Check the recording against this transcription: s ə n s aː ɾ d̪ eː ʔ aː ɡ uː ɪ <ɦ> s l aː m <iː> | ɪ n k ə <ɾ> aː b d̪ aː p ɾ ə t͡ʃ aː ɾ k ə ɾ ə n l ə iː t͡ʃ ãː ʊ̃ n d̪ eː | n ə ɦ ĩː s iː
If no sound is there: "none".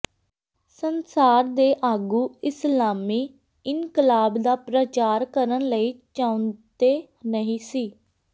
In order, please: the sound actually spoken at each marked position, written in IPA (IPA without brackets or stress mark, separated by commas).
none, iː, l